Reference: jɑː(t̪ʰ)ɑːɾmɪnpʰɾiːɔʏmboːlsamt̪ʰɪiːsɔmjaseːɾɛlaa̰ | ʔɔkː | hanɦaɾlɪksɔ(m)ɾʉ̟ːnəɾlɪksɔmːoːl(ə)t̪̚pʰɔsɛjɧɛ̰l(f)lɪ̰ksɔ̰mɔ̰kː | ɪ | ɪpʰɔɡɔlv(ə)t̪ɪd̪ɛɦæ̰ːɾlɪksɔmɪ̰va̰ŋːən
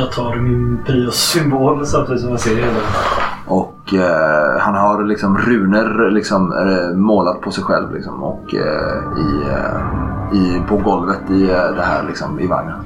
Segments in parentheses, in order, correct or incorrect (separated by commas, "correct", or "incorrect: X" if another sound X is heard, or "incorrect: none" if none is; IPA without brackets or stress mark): correct, correct, incorrect: a, incorrect: v, correct